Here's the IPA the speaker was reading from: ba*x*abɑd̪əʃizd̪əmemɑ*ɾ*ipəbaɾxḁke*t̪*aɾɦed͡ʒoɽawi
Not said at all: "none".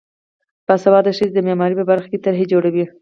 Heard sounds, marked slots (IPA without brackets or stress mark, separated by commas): s, ɾ, t̪